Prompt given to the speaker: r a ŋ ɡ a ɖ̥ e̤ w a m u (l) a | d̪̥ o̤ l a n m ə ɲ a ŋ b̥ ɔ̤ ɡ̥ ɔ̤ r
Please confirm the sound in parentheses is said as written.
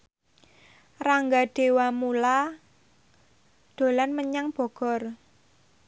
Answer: yes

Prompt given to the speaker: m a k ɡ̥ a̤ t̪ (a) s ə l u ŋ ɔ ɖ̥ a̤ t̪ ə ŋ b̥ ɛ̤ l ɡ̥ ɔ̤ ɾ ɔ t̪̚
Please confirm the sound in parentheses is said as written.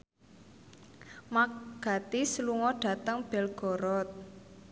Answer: no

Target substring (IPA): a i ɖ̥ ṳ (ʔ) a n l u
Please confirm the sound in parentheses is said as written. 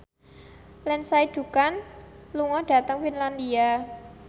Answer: no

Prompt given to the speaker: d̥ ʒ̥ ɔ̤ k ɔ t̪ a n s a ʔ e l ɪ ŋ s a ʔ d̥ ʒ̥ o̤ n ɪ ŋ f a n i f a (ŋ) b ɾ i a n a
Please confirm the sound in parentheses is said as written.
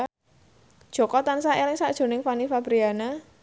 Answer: no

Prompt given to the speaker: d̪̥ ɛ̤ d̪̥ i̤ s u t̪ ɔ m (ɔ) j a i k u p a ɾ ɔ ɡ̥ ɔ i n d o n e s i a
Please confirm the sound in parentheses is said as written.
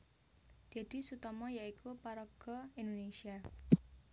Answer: yes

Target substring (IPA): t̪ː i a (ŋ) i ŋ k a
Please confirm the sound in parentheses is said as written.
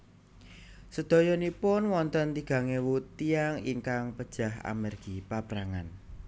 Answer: yes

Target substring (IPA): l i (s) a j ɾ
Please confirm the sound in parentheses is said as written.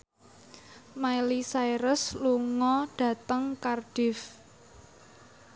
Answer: yes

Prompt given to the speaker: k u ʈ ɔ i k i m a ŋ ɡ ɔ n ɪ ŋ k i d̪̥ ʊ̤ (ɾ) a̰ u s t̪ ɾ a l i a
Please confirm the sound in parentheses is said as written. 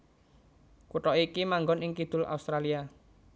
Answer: no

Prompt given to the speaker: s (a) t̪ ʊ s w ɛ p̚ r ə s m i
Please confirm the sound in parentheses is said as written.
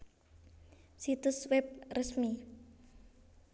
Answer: no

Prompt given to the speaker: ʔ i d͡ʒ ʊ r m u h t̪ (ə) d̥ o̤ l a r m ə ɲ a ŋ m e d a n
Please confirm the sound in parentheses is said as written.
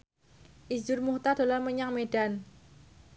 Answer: no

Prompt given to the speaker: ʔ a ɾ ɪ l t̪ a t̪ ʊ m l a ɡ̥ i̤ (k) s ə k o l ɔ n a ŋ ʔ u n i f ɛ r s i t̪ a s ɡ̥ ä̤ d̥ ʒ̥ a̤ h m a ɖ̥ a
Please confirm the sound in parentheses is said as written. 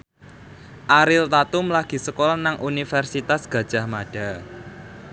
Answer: no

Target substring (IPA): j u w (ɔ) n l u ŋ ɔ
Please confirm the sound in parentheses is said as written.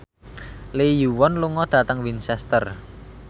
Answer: yes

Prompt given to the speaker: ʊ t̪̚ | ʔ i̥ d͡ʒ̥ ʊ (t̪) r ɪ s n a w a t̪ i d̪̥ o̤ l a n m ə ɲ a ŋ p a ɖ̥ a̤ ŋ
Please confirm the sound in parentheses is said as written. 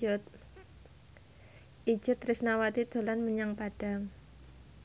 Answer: yes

